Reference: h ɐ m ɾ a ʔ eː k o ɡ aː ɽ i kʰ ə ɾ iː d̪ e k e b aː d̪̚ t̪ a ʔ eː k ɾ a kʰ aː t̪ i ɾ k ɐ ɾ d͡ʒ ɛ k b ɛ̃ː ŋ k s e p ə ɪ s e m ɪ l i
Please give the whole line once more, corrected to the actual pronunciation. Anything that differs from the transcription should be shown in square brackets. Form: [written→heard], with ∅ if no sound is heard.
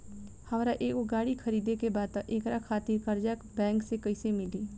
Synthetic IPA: h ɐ m ɾ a ʔ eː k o ɡ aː ɽ i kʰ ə ɾ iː d̪ e k e b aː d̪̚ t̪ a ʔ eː k ɾ a kʰ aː t̪ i ɾ k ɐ ɾ d͡ʒ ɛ k b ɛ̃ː ŋ k s e [p→k] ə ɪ s e m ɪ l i